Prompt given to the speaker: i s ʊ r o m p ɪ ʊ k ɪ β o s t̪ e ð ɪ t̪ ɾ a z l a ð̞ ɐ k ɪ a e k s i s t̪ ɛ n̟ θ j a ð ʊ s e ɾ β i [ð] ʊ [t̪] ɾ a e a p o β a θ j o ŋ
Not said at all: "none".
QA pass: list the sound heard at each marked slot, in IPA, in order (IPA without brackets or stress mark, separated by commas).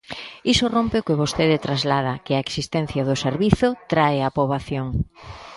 θ, t̪